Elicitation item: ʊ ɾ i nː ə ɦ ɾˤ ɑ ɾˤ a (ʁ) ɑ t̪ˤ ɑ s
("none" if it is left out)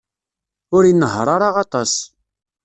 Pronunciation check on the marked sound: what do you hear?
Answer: ʁ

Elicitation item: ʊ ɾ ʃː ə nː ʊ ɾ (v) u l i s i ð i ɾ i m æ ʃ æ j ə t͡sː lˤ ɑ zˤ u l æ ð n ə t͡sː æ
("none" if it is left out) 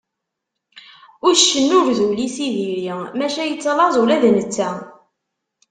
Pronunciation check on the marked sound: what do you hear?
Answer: ð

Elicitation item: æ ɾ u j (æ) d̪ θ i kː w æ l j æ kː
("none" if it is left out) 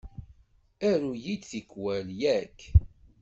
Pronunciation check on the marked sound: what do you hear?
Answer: i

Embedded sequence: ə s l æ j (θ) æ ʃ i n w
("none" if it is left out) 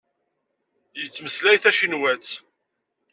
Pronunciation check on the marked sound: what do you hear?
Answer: θ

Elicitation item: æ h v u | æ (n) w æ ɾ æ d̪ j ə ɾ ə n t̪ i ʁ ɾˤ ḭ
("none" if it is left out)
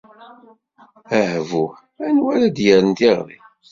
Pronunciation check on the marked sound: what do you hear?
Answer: n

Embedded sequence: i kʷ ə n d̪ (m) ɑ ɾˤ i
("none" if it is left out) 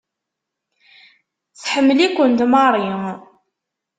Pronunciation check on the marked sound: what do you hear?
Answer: m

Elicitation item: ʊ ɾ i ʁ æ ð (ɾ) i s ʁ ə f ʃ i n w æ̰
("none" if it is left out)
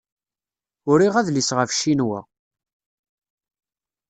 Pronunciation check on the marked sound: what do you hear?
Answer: l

